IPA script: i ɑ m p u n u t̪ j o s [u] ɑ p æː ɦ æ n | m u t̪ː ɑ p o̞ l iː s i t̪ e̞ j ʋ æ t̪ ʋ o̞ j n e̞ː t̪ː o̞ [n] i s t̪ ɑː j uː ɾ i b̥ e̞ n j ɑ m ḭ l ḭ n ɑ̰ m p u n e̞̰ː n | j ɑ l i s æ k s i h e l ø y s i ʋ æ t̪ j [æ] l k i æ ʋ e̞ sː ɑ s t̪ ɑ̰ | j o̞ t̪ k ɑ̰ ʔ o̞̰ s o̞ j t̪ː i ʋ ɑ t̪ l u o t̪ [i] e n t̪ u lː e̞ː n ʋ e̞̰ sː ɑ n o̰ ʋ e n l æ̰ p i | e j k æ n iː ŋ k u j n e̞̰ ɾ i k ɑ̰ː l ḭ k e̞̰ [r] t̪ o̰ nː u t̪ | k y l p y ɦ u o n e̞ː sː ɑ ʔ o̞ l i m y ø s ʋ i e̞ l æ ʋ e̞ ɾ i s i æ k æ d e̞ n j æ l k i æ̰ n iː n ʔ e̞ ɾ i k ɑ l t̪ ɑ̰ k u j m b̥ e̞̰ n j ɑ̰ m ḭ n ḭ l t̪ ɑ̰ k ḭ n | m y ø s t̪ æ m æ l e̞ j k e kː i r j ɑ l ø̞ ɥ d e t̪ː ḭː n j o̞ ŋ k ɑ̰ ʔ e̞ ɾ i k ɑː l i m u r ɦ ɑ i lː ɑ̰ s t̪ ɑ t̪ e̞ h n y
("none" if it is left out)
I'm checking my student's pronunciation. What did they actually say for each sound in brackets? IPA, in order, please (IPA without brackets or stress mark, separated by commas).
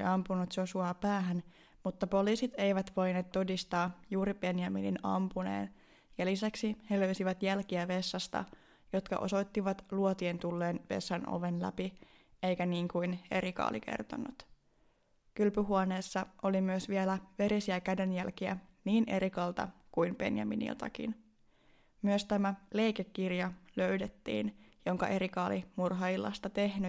u, d, æ, i, r